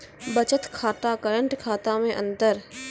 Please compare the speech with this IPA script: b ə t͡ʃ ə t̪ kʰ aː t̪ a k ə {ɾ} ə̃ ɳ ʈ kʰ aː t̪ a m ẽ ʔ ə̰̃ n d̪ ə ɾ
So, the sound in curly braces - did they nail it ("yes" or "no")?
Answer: yes